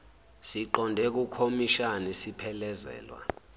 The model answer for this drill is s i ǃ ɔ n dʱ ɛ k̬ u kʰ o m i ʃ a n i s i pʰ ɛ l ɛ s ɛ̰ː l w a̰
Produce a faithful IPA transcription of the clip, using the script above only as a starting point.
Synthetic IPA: s i ǃ ɔ n dʱ ɛ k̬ u kʰ o m i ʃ a n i s i pʰ ɛ l ɛ z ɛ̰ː l w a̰